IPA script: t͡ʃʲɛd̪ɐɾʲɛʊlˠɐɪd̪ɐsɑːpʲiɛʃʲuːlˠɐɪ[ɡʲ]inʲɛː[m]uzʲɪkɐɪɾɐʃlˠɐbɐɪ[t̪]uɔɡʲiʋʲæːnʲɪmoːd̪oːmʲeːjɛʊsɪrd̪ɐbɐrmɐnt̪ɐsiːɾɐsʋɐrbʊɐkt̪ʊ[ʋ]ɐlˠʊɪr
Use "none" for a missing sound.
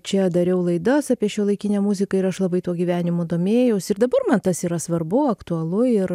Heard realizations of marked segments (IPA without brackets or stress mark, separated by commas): kʲ, m, t̪, none